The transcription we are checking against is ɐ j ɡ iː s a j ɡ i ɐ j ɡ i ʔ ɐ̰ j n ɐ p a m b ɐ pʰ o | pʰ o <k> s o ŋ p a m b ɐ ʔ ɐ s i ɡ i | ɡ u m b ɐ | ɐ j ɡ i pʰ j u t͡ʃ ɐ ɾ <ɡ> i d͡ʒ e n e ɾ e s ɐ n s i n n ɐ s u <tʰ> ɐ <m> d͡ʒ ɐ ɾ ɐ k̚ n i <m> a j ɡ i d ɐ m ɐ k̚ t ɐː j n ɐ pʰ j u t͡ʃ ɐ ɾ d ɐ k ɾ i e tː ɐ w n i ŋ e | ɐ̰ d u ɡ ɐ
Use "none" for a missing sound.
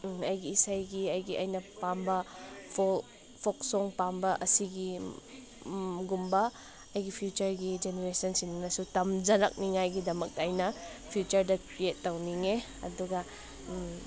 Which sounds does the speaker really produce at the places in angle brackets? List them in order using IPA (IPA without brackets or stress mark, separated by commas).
k, ɡ, t, m, ŋ